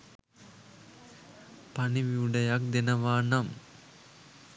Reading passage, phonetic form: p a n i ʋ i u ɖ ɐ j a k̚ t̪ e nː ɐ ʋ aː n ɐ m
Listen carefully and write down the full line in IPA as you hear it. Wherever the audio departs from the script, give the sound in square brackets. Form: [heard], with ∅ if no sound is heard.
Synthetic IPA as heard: p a n i ʋ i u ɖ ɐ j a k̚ [d̪] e [n] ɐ ʋ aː n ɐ m